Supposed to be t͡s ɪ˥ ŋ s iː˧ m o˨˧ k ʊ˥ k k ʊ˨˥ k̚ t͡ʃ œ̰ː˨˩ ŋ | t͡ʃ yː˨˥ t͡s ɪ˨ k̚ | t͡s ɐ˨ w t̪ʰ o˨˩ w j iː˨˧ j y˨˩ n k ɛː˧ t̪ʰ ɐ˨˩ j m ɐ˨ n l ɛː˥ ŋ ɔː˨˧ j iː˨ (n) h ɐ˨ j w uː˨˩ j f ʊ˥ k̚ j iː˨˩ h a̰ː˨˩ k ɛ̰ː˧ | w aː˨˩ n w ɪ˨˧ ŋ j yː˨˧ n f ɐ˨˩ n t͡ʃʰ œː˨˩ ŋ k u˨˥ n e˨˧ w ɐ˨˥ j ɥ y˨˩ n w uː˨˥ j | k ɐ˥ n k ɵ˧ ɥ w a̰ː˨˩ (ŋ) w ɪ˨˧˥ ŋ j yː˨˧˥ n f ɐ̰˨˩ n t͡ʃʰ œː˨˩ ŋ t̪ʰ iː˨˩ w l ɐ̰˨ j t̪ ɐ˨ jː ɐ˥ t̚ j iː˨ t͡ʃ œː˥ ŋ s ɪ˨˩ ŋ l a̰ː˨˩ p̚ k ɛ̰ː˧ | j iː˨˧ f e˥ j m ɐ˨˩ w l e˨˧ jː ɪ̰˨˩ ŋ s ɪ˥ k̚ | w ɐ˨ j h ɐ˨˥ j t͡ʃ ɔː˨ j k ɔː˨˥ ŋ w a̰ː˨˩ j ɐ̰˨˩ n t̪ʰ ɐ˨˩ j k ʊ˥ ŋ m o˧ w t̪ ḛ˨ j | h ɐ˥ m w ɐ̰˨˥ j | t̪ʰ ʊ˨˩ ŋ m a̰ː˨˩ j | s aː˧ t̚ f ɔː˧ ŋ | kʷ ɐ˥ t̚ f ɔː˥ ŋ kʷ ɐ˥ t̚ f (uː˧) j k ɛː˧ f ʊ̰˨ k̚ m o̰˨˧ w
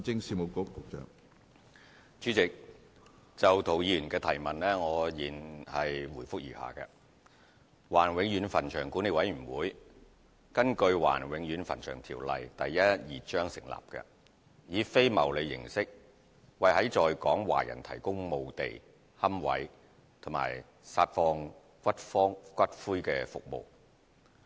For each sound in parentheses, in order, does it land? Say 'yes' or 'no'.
yes, no, no

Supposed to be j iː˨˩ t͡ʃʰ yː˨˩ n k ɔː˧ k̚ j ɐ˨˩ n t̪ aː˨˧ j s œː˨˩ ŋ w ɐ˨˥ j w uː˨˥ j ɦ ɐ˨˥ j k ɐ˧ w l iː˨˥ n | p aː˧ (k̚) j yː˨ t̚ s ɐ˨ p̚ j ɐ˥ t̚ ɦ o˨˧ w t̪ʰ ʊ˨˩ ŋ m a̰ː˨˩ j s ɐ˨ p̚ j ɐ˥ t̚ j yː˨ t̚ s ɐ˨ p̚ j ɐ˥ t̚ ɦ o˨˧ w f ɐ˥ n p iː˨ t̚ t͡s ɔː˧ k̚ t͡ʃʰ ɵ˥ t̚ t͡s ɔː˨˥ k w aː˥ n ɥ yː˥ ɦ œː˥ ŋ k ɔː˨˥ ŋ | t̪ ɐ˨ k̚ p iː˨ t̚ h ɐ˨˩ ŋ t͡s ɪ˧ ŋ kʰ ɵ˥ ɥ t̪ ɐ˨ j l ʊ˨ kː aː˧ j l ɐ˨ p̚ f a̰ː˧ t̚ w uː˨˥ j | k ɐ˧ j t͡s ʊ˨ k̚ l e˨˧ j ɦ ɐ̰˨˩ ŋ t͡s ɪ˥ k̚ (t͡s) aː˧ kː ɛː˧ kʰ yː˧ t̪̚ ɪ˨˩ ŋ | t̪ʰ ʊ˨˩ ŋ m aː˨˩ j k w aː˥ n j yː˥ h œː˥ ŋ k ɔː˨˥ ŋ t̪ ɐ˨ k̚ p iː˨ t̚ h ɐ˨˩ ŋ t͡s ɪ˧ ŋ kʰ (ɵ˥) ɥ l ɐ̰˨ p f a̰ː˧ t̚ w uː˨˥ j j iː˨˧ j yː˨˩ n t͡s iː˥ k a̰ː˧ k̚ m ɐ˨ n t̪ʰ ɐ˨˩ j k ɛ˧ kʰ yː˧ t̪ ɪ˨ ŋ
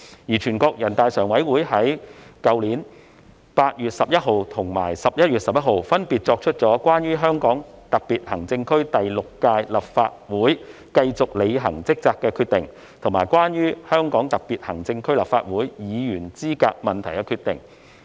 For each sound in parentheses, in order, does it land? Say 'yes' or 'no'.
no, yes, yes

